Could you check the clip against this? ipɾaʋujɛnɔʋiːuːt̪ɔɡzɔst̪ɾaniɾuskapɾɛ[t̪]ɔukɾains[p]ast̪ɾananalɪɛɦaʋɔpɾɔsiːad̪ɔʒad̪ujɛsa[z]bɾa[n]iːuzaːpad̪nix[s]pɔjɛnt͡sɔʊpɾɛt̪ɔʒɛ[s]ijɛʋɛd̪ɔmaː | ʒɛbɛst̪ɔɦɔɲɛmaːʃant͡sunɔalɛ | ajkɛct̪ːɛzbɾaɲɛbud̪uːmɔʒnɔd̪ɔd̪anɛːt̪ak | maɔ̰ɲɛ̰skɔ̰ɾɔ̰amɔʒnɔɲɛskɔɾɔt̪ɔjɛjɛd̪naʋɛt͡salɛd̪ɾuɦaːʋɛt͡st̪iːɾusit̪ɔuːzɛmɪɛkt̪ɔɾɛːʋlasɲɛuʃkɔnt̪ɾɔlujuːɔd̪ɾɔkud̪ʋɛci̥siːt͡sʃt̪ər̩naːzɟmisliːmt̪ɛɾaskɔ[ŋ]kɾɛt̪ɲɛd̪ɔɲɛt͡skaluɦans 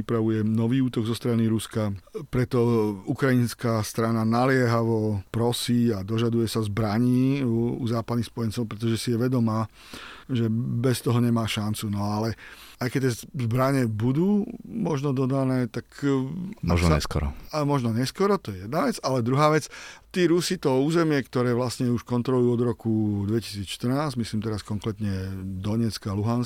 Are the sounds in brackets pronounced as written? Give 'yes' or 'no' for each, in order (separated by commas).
yes, no, yes, no, yes, yes, yes